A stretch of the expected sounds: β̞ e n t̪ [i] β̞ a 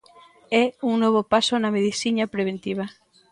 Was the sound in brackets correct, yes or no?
yes